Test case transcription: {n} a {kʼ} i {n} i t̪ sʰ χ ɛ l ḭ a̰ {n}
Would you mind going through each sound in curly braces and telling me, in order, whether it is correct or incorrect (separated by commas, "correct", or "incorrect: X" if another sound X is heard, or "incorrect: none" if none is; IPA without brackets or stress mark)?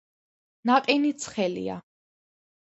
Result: correct, incorrect: qʼ, correct, incorrect: none